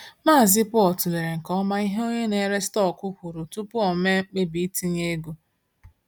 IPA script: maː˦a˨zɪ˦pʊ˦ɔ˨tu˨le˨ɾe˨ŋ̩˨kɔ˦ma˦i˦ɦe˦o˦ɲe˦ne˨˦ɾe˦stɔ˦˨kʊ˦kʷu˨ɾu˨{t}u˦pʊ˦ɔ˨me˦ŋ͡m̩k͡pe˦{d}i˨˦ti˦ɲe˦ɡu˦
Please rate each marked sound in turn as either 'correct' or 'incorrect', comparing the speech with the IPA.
correct, incorrect

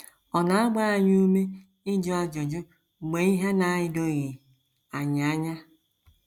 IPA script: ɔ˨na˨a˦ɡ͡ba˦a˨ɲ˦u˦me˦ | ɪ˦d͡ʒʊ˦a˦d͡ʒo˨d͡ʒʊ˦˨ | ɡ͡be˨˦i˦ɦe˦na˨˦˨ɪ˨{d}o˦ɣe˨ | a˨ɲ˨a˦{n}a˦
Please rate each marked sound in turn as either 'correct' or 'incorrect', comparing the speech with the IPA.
correct, incorrect

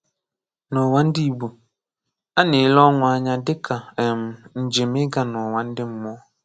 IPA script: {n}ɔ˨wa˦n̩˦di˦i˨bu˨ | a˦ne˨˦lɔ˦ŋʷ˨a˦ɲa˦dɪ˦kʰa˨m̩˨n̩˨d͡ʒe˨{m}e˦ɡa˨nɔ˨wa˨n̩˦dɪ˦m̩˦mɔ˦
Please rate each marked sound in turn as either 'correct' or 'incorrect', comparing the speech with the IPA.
correct, correct

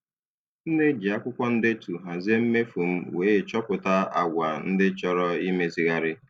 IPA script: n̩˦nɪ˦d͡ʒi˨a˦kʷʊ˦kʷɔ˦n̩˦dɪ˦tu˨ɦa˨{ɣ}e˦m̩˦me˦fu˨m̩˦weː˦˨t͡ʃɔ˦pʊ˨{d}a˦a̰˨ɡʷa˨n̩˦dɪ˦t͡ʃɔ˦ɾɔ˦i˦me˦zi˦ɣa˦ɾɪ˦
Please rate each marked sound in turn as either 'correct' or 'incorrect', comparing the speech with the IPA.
incorrect, incorrect

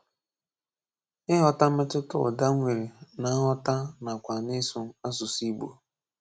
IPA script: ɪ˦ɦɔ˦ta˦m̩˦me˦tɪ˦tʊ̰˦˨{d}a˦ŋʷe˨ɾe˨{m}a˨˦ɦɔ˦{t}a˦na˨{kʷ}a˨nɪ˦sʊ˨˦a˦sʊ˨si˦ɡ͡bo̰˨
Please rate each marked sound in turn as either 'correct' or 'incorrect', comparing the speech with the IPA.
correct, incorrect, correct, correct

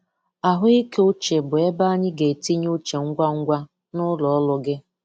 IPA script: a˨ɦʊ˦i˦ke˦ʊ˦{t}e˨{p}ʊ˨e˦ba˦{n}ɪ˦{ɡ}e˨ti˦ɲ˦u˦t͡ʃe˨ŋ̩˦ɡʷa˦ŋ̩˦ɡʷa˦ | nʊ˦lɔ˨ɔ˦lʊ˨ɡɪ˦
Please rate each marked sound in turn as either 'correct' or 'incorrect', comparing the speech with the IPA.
incorrect, incorrect, incorrect, correct

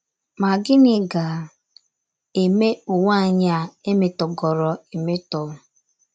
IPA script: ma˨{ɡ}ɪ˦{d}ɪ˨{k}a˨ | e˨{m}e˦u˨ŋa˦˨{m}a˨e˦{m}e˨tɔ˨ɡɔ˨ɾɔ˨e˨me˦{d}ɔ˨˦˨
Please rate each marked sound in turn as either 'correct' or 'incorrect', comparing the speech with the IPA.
correct, incorrect, incorrect, correct, incorrect, correct, incorrect

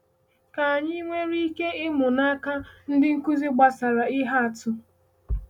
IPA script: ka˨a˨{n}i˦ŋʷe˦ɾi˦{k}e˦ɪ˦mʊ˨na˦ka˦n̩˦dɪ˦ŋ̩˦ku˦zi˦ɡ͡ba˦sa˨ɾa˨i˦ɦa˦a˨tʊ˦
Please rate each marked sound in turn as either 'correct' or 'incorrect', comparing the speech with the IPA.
incorrect, correct

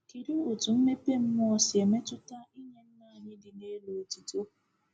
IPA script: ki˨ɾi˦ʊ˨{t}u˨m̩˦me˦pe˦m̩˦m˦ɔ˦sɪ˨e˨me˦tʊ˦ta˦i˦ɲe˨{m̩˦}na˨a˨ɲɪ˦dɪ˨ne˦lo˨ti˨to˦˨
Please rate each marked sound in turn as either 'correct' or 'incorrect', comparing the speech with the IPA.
correct, incorrect

